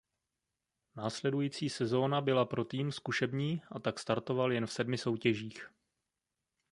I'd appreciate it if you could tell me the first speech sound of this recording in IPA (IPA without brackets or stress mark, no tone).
n